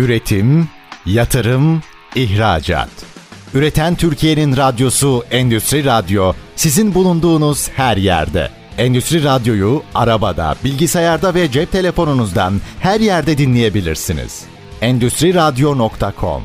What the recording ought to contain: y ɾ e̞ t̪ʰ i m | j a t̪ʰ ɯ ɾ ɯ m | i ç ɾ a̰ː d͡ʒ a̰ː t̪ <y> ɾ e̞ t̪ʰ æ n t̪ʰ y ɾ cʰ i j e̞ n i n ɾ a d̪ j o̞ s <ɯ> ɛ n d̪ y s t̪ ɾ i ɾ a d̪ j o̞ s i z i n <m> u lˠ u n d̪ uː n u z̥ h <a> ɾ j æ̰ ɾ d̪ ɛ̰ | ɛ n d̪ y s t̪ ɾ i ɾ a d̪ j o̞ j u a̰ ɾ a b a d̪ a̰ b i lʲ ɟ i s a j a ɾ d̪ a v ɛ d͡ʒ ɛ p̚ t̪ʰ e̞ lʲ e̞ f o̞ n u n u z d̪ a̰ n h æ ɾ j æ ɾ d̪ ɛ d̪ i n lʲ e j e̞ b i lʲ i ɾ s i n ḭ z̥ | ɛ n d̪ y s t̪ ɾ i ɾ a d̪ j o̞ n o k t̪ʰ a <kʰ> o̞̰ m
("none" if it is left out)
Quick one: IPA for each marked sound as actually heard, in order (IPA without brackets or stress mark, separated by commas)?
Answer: y, u, b, æ, kʰ